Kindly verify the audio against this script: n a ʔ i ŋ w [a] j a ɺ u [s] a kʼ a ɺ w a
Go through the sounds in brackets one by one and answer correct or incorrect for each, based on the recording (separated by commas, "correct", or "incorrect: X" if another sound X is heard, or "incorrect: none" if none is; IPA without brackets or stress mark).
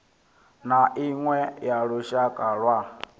incorrect: ɛ, incorrect: ʃ